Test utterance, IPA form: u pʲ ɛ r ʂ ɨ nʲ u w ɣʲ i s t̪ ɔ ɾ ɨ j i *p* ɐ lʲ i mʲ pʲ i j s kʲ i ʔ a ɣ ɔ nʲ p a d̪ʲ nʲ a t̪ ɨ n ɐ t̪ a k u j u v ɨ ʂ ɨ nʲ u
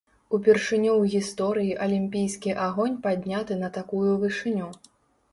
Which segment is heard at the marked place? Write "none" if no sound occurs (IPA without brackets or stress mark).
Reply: ʔ